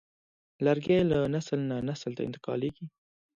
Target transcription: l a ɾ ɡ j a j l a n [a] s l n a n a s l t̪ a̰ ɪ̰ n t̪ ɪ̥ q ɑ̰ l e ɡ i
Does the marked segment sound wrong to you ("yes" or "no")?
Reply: no